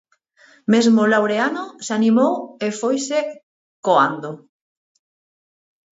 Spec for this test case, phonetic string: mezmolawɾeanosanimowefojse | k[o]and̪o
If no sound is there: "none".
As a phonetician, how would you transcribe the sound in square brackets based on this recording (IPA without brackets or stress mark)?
o